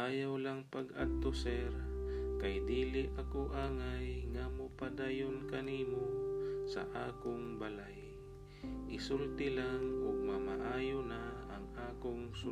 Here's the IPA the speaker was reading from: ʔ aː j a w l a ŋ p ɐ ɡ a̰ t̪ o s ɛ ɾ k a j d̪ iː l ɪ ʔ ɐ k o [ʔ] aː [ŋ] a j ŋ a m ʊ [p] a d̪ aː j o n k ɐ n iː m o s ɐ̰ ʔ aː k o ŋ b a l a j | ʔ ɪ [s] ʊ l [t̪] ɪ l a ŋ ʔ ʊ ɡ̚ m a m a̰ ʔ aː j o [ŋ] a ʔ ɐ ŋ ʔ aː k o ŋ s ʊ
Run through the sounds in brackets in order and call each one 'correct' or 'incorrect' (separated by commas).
correct, correct, correct, correct, correct, incorrect